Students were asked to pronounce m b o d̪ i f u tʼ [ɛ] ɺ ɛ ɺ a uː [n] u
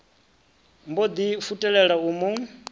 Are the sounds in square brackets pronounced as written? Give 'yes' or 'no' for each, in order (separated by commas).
yes, no